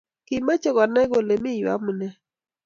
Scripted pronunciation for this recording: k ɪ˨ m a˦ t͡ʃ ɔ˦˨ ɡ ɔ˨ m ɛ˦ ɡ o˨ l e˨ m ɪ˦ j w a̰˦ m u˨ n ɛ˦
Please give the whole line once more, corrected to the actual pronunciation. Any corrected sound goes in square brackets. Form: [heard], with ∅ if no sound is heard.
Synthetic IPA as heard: k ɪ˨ m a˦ t͡ʃ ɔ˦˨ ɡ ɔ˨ [n] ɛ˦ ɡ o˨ l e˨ m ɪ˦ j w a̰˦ m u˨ n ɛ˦